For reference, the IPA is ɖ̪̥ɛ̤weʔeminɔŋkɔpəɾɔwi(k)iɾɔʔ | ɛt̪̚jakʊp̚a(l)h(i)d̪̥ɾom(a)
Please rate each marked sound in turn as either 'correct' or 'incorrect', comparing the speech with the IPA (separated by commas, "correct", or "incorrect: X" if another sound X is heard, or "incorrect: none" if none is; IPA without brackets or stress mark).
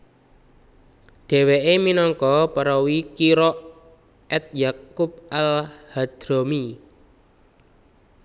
correct, correct, incorrect: a, incorrect: i